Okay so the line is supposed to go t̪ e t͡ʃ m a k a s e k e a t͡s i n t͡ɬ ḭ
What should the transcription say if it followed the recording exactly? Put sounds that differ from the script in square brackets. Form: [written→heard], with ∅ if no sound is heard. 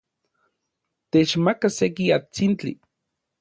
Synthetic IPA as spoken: t̪ e t͡ʃ m a k a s e k [e→i] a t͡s i n t͡ɬ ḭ